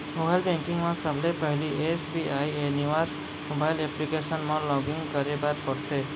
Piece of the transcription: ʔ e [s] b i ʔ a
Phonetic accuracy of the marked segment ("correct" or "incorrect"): correct